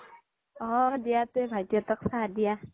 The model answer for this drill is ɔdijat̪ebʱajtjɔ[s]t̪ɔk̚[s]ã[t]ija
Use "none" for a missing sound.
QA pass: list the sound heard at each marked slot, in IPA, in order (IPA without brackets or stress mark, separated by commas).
none, s, d